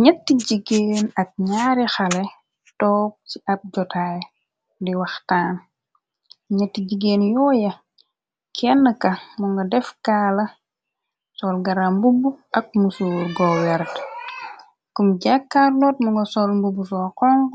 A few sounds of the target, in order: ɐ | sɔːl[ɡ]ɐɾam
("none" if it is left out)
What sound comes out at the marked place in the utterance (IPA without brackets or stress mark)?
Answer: ɡ